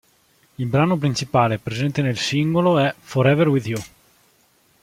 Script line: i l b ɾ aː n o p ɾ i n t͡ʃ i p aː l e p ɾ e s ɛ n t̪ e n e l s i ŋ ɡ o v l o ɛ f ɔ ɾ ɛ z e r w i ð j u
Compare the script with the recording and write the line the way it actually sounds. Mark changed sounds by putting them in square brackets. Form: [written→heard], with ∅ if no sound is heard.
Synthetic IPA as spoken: i l b ɾ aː n o p ɾ i n t͡ʃ i p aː l e p ɾ e [s→z] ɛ n t̪ e n e l s i ŋ ɡ o [v→∅] l o ɛ f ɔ ɾ ɛ [z→v] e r w i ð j u